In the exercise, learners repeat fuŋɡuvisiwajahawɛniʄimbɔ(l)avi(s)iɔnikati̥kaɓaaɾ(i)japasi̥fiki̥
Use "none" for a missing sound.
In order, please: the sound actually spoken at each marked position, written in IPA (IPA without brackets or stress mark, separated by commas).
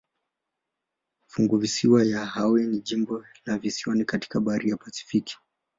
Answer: l, s, i